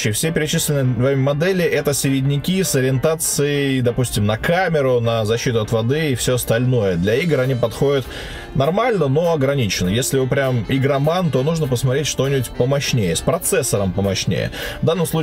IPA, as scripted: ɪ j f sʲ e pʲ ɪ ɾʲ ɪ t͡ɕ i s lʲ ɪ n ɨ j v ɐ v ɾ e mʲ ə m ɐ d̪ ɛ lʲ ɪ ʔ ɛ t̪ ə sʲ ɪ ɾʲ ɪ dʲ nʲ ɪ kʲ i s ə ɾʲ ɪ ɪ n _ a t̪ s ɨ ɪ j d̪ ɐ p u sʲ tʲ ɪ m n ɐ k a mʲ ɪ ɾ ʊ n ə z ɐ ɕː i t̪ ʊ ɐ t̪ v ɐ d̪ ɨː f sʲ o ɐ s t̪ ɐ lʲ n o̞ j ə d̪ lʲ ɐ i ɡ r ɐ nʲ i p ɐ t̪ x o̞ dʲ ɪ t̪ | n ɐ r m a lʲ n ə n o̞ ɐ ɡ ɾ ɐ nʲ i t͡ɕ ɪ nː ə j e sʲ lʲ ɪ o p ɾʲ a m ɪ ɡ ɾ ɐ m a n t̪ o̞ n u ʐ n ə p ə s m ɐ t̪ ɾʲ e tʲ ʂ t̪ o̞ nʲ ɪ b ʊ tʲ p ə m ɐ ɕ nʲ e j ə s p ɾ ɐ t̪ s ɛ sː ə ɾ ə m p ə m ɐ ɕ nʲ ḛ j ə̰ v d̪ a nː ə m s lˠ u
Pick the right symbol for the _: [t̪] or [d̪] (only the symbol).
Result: t̪